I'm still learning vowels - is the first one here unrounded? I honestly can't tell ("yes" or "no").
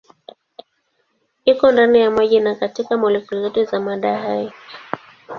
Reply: yes